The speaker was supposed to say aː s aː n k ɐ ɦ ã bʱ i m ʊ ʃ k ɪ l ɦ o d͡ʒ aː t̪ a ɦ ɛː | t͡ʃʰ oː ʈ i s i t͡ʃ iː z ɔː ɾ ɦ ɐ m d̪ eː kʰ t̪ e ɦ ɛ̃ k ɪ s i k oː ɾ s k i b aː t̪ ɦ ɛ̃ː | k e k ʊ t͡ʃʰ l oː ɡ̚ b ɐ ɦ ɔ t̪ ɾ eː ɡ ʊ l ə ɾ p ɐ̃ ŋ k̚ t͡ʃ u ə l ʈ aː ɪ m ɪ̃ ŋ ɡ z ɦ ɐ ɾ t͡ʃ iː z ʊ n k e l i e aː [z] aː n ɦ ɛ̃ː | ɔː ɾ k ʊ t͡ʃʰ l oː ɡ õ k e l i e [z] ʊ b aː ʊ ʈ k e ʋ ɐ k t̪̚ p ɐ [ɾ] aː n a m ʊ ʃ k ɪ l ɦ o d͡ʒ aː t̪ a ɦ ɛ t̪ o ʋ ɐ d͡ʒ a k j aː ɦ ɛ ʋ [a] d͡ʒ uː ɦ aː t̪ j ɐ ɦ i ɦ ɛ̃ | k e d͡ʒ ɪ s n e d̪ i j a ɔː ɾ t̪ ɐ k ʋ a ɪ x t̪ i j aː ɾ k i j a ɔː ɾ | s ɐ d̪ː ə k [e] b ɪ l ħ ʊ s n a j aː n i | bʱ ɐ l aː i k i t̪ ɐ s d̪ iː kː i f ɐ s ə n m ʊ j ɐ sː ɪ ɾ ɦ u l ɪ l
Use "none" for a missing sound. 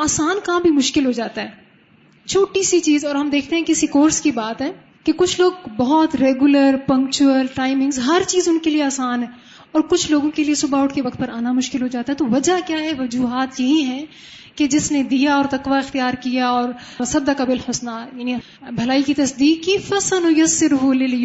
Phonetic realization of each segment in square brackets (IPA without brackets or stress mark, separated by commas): s, s, ɾ, ɐ, a